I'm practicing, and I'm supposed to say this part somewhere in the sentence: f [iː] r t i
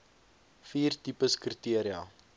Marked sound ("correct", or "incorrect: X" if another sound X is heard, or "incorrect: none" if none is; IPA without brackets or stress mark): correct